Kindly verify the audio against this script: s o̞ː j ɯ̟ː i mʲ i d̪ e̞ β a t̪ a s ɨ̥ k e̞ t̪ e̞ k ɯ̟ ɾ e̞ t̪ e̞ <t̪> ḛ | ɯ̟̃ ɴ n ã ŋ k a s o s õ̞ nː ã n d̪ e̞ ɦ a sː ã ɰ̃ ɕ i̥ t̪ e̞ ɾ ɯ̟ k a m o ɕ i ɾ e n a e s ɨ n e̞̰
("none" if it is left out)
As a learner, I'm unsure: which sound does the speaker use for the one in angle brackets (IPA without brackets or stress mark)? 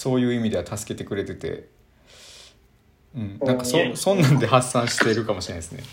t̪